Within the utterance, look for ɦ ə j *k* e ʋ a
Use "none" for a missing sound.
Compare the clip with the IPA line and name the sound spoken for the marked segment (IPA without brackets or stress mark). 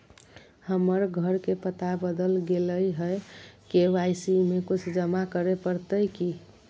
k